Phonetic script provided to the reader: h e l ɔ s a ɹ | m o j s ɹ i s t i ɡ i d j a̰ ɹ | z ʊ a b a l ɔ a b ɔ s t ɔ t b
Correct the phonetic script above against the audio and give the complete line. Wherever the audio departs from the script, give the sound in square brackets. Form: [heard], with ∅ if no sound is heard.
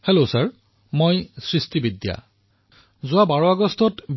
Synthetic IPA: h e l [o] s a ɹ | m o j s ɹ i s t i [b] i d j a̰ [∅] | z ʊ a b a [ɹ] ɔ a [ɡ] ɔ s t ɔ t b